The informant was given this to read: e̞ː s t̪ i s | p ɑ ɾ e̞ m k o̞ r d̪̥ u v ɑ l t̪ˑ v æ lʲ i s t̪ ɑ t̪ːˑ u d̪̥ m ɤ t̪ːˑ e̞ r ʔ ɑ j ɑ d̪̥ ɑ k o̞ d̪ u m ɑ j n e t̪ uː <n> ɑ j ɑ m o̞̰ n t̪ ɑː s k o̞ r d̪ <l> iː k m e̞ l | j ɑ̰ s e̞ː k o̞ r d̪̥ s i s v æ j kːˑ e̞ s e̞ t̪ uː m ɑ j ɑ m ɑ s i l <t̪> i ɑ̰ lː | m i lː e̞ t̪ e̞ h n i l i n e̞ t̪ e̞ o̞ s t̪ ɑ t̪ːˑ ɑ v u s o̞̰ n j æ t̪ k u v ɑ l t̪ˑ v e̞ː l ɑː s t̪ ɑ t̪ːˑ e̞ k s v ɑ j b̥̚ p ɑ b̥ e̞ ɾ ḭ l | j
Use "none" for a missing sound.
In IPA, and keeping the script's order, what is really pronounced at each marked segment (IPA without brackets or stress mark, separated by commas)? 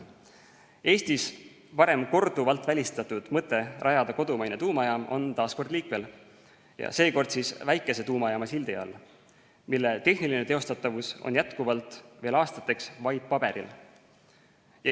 m, l, d̪